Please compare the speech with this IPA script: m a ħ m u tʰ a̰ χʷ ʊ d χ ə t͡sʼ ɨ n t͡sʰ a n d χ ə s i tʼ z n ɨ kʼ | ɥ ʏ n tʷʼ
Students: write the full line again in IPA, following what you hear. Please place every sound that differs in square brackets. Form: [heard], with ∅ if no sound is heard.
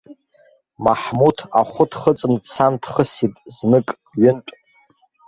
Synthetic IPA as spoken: m a ħ m u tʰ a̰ χʷ ʊ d χ ə t͡sʼ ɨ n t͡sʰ a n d χ ə s i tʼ z n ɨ kʼ | ɥ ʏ n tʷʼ